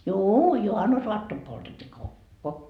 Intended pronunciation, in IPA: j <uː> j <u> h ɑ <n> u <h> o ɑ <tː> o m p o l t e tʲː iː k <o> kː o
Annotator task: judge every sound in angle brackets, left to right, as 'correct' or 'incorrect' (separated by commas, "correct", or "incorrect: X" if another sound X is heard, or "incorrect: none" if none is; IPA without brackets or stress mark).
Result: correct, correct, incorrect: nː, incorrect: s, correct, correct